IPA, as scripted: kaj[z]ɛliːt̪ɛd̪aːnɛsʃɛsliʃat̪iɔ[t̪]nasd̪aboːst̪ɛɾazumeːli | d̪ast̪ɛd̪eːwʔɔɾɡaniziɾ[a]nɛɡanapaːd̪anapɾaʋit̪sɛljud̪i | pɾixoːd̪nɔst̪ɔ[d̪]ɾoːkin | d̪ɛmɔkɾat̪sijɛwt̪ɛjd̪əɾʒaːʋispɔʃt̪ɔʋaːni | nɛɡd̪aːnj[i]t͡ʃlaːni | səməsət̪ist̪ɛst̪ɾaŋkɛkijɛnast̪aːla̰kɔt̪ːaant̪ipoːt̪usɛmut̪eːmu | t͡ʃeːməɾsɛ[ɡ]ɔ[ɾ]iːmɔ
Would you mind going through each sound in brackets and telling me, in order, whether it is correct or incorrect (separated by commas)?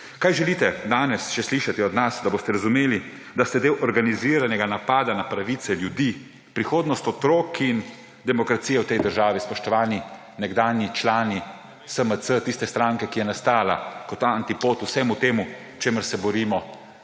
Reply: incorrect, incorrect, correct, incorrect, correct, incorrect, correct